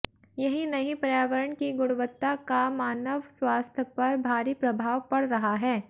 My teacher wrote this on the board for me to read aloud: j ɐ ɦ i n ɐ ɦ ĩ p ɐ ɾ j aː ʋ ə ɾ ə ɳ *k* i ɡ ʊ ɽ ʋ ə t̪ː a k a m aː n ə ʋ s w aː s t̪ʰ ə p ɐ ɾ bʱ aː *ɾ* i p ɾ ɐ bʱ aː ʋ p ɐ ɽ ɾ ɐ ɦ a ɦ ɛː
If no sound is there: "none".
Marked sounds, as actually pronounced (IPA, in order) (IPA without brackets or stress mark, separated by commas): k, ɾ